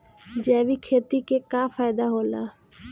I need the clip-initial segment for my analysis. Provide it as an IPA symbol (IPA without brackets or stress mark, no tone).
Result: d͡ʒ